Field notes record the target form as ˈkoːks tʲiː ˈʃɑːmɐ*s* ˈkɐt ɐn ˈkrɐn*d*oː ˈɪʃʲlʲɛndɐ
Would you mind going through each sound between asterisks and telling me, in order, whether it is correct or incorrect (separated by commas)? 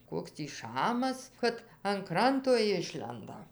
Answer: correct, incorrect